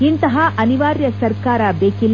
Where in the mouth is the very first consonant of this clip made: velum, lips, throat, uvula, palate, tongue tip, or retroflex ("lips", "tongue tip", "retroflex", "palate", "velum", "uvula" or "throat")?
tongue tip